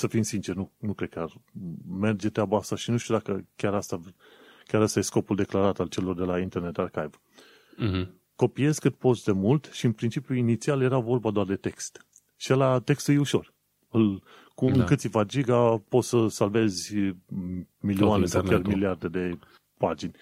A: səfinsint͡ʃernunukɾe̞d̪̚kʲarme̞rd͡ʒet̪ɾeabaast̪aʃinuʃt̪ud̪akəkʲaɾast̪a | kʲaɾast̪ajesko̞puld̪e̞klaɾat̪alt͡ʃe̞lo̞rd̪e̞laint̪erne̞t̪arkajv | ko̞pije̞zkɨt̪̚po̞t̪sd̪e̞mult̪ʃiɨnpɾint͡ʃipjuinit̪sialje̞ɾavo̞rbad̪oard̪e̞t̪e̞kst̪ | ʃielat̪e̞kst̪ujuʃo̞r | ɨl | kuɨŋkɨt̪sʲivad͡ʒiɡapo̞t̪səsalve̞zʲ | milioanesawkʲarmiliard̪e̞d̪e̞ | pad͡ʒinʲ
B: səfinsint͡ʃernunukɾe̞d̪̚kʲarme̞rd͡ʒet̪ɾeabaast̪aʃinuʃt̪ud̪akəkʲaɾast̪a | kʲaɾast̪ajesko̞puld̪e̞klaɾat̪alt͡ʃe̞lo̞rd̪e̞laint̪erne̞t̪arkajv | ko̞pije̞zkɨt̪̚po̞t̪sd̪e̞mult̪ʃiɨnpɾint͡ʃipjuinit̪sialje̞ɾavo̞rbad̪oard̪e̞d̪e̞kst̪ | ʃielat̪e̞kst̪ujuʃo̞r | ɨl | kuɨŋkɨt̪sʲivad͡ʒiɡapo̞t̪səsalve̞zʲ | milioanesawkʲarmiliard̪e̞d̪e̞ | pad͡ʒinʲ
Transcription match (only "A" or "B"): A